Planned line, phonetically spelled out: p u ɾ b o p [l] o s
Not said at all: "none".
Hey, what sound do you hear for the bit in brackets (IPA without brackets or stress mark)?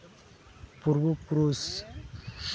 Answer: ɾ